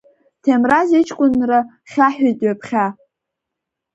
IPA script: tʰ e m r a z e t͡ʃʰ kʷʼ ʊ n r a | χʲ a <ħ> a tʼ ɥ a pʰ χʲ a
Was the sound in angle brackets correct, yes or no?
yes